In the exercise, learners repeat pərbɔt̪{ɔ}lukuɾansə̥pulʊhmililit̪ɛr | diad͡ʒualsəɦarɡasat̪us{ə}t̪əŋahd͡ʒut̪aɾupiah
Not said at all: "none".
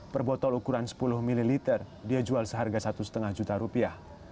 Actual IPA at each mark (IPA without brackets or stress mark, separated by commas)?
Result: ɔ, ə